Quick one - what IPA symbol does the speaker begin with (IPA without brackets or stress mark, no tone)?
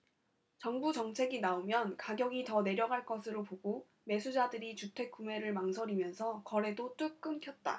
t͡ɕ